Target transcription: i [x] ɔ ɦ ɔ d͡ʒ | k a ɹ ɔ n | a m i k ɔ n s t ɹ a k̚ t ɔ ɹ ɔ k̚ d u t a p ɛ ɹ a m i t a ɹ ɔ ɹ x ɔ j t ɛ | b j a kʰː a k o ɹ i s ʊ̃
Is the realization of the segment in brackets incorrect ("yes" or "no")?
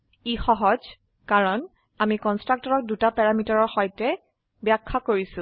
no